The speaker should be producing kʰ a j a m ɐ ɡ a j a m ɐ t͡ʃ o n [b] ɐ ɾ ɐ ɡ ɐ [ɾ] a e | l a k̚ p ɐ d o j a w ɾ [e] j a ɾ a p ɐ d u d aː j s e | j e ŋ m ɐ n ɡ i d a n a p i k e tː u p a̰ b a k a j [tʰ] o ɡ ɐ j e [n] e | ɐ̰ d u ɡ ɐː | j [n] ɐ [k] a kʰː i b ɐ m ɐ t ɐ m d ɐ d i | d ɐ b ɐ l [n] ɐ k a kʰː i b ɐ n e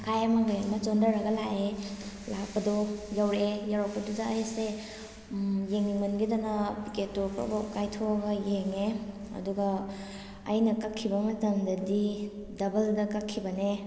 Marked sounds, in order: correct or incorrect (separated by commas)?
incorrect, incorrect, correct, correct, incorrect, correct, correct, incorrect